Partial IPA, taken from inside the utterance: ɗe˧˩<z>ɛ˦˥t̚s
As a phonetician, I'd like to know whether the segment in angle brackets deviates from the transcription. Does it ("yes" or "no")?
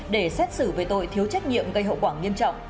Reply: yes